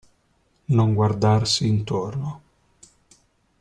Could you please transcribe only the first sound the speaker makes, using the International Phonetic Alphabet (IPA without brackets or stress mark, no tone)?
n